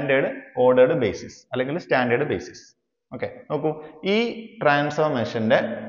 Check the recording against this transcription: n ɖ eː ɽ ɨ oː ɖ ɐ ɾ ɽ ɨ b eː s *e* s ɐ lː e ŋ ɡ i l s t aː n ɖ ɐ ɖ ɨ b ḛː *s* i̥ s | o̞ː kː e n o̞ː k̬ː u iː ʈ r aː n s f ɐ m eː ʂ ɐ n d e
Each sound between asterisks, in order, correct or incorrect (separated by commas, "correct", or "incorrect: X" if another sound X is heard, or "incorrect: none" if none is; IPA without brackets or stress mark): incorrect: i, correct